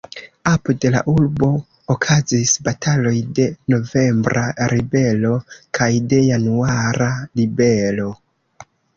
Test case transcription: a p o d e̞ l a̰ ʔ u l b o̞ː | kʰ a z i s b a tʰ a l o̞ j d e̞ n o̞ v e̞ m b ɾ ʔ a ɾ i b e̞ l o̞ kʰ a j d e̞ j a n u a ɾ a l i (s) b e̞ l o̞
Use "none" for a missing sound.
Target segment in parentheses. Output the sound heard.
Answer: none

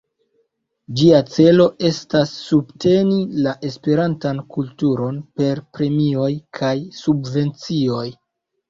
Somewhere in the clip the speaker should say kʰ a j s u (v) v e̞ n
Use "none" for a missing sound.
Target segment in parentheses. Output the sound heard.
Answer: b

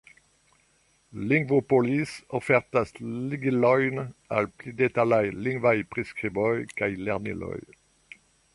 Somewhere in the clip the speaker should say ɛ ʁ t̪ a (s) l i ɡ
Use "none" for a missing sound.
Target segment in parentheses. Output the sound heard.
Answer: s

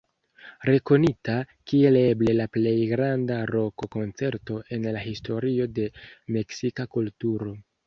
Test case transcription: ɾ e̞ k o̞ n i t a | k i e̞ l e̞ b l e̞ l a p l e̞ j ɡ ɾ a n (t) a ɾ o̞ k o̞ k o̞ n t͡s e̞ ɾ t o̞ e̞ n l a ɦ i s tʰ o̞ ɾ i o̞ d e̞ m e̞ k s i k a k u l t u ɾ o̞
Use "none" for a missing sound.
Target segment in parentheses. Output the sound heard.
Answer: d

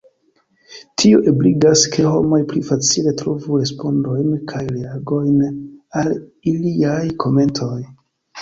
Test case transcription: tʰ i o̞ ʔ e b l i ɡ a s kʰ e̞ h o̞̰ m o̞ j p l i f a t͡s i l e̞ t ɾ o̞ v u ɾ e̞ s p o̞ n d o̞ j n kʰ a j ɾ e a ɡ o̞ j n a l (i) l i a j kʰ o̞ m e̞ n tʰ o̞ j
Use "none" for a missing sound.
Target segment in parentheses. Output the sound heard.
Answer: i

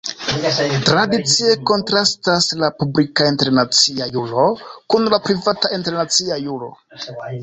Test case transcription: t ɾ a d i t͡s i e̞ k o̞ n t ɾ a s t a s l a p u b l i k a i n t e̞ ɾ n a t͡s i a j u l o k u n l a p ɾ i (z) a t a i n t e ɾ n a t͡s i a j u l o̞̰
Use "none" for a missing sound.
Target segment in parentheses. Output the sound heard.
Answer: v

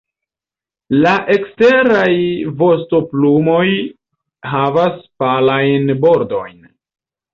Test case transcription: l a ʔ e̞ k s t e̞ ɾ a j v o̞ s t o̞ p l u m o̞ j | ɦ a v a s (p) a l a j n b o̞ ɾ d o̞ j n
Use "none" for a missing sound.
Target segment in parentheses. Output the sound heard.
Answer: p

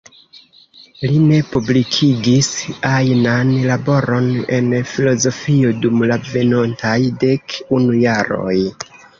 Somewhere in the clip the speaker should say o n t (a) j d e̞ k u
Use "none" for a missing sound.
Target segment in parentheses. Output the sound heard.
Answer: a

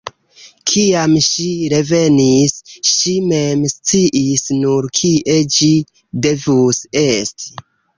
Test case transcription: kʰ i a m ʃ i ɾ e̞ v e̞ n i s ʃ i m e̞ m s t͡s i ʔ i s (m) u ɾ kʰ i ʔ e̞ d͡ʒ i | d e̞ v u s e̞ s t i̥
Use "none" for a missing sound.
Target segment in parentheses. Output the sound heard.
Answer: n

